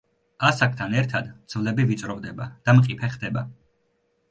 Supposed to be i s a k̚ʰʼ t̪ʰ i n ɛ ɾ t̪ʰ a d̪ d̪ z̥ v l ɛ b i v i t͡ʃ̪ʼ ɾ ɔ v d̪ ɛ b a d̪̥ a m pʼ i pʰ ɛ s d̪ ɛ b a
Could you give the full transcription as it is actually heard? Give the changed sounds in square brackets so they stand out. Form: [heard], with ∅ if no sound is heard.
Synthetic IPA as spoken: [a] s a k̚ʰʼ t̪ʰ [a] n ɛ ɾ t̪ʰ a d̪ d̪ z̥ v l ɛ b i v i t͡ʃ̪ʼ ɾ ɔ v d̪ ɛ b a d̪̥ a m [qʼ] i pʰ ɛ [χ] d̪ ɛ b a